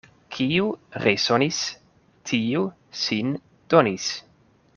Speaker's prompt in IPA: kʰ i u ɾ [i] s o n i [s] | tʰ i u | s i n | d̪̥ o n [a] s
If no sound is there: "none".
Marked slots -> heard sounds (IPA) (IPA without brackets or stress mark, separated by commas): e, s, i